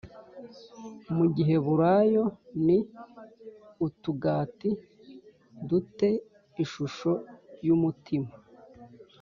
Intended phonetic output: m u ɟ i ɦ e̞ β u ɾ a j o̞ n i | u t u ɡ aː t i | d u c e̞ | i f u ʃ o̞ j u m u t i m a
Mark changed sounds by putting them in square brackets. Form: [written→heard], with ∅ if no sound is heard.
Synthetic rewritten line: m u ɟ i ɦ e̞ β u ɾ a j o̞ n i | u t u ɡ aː t i | d u [c→t] e̞ | i [f→ʃ] u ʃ o̞ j u m u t i m a